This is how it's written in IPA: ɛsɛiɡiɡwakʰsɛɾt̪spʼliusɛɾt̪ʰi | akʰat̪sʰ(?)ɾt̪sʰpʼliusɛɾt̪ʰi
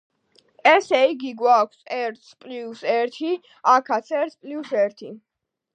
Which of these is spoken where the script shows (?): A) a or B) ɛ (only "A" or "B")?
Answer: B